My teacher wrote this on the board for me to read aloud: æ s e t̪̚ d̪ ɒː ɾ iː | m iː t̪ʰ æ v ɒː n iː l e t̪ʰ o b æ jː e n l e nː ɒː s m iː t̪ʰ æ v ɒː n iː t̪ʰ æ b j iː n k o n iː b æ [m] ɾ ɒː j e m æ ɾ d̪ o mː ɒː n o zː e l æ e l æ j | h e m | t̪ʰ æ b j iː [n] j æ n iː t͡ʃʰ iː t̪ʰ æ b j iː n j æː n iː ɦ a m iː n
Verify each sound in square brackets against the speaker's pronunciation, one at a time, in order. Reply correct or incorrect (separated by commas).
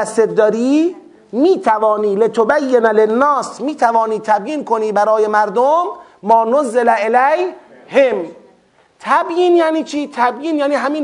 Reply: incorrect, correct